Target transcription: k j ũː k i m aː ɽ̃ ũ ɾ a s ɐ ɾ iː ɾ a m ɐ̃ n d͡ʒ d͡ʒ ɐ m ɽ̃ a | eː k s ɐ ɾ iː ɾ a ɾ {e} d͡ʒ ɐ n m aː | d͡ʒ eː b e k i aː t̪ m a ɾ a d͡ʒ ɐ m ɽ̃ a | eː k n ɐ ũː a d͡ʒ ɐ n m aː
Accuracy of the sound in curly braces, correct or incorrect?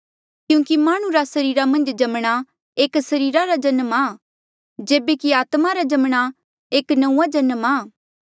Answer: incorrect